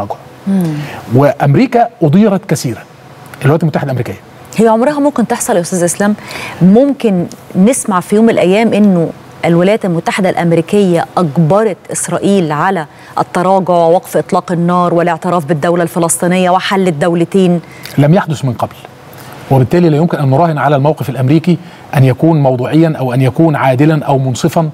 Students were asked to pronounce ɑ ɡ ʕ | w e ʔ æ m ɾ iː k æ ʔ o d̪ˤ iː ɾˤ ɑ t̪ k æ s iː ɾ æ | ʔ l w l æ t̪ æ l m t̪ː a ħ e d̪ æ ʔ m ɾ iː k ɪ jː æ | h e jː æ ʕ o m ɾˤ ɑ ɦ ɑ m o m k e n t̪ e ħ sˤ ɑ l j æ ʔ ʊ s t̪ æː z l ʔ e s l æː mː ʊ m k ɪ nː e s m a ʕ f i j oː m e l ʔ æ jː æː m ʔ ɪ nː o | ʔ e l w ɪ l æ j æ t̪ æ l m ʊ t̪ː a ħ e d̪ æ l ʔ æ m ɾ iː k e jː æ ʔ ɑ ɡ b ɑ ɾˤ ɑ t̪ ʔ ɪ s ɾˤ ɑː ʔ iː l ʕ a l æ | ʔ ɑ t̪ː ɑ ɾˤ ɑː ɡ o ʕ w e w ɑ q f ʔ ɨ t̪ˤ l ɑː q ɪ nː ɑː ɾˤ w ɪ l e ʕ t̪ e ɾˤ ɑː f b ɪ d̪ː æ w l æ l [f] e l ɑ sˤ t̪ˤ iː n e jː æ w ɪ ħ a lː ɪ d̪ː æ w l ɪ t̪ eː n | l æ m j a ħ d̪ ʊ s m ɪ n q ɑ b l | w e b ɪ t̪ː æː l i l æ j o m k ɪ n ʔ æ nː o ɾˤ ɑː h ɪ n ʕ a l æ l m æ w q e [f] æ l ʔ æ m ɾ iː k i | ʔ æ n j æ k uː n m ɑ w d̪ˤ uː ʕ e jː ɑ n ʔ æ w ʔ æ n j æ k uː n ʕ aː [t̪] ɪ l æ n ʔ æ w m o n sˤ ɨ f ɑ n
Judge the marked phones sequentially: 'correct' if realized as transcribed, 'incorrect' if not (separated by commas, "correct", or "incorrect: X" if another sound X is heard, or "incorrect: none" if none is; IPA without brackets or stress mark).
correct, correct, incorrect: d̪